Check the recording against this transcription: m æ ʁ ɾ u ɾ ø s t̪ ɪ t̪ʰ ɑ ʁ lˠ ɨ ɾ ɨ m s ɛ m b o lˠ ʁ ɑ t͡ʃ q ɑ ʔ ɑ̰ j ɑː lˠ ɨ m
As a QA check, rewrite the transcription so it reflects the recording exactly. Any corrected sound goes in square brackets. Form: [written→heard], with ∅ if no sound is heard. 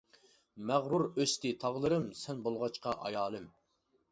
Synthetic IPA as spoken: m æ ʁ ɾ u ɾ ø s t̪ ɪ t̪ʰ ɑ ʁ lˠ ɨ ɾ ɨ m s ɛ [m→n] b o lˠ ʁ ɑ t͡ʃ q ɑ ʔ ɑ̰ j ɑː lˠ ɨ m